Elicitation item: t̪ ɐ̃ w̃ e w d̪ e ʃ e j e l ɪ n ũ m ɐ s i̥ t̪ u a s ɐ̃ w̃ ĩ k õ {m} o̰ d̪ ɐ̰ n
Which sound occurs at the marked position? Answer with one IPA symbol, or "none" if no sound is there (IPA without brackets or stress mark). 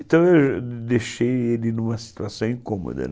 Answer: m